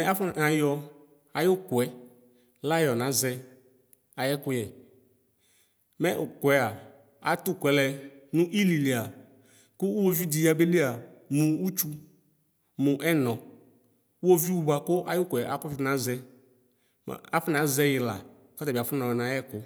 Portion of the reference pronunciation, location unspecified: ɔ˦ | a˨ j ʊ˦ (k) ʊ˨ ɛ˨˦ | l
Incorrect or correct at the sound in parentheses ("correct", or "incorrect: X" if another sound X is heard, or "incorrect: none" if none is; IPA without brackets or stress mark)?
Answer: correct